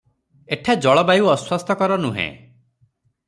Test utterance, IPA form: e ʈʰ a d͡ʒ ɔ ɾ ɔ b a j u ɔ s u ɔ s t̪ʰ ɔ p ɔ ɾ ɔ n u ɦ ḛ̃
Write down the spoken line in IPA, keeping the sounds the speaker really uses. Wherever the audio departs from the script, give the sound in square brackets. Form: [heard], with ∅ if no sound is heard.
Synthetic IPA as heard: e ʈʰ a d͡ʒ ɔ [ɭ] ɔ b a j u ɔ s [w] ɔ s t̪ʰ ɔ [k] ɔ ɾ ɔ n u ɦ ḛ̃